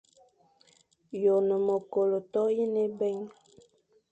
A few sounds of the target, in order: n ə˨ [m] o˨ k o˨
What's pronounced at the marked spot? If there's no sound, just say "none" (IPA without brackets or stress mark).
m